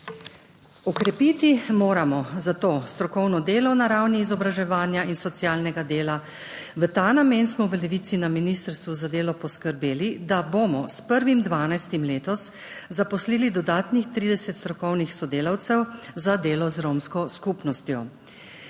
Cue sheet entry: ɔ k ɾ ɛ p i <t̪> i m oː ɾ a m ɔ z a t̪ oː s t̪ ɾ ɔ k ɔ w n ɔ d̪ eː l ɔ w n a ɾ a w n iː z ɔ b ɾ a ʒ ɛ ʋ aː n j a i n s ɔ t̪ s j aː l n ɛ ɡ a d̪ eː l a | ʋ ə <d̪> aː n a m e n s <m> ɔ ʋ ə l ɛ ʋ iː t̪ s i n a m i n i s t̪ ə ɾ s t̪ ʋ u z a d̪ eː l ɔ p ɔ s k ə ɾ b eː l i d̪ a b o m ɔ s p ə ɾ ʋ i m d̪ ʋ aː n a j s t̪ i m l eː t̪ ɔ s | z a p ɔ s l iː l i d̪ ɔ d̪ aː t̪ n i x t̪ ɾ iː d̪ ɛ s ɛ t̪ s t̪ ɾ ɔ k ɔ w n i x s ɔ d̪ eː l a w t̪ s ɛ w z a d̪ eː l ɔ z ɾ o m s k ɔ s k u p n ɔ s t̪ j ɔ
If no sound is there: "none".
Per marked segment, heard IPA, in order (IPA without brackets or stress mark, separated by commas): t̪, t̪, m